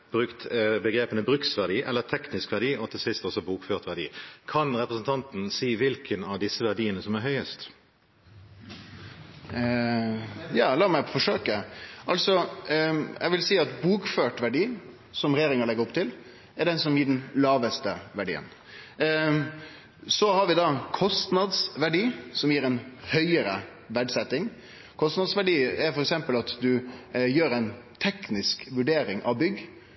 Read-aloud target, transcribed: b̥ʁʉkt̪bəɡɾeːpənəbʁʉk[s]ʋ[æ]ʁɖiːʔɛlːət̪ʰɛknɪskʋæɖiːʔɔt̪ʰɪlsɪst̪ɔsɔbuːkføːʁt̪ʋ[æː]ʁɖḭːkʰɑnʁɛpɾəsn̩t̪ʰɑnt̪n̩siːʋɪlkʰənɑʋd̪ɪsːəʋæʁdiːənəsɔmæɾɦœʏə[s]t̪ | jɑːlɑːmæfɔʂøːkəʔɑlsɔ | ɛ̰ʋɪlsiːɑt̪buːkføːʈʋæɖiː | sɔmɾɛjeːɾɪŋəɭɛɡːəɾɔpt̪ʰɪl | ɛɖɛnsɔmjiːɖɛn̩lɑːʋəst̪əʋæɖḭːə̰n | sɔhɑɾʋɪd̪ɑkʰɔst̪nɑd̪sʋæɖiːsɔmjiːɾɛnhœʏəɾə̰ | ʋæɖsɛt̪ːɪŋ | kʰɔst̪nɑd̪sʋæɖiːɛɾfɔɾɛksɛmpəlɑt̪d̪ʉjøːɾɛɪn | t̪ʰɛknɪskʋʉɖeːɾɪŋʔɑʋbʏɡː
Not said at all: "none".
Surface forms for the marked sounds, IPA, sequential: s, æ, æ, s

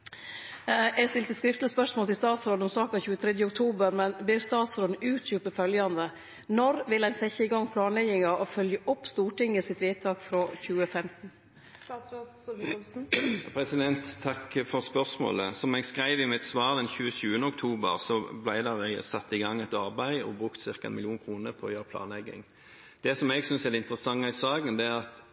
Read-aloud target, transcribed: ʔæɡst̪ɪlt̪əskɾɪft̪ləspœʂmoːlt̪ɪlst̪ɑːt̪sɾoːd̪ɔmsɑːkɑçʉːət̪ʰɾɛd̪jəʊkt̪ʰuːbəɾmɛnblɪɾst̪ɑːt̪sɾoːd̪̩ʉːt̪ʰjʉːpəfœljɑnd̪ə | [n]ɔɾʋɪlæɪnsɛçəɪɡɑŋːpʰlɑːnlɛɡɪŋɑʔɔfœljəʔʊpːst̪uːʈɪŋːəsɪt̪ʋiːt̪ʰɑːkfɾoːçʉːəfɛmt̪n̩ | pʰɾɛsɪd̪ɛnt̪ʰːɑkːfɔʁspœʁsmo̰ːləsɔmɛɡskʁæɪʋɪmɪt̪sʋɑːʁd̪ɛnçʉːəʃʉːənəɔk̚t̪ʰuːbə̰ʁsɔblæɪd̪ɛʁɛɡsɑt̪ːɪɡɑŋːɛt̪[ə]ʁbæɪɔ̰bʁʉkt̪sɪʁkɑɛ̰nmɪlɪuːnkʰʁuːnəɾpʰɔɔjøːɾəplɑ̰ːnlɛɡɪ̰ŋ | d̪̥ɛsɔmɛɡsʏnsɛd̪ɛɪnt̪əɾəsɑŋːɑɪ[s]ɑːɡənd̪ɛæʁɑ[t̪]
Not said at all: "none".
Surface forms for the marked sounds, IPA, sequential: n, ɑ, s, t̪

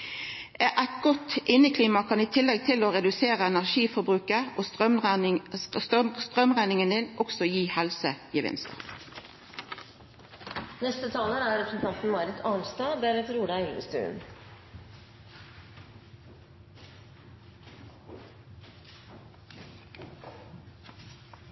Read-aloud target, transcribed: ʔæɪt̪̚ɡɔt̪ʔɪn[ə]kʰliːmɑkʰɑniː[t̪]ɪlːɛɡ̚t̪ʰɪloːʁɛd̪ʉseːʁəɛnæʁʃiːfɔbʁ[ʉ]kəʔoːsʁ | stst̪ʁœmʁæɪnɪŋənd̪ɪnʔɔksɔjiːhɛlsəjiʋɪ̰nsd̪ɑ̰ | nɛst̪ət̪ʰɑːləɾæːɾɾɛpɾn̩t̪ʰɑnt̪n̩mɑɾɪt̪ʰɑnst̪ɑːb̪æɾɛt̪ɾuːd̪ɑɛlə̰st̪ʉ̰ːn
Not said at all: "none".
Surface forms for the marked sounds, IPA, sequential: ə, t̪ʰ, ʉː

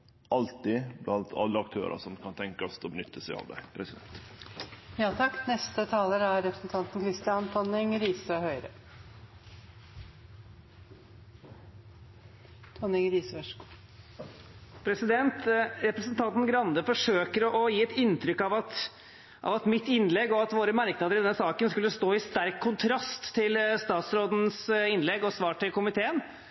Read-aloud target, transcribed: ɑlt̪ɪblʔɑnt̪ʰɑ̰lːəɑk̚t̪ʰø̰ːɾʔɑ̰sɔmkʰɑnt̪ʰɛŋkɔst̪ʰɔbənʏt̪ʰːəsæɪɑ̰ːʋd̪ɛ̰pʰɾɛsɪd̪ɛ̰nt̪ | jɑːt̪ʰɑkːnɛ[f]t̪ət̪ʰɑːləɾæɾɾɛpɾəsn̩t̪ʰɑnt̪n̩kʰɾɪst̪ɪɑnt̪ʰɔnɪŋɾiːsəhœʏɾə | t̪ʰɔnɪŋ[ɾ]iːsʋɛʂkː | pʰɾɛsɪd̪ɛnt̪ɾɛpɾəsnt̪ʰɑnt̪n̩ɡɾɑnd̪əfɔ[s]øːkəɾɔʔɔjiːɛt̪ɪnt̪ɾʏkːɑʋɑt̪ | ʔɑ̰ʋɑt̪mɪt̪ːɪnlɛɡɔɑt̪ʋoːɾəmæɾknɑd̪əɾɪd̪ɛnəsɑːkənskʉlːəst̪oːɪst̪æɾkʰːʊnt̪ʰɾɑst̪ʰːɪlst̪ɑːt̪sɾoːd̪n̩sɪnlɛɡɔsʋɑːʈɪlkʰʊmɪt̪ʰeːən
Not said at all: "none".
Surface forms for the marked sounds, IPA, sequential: s, ɾ, ʂ

